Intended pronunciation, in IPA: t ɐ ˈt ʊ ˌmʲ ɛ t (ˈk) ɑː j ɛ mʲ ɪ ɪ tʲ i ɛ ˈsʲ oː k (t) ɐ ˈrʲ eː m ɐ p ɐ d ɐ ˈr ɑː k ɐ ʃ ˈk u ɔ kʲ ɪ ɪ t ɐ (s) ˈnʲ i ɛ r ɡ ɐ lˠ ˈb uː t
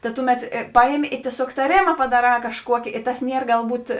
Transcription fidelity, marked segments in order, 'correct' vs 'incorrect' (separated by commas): incorrect, correct, correct